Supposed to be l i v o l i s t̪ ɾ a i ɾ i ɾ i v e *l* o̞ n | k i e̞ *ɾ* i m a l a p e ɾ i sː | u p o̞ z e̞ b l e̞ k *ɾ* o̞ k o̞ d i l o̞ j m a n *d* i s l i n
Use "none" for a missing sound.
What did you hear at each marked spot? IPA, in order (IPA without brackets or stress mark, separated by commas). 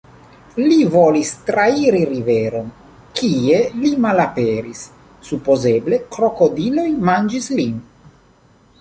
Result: ɾ, l, ɾ, d͡ʒ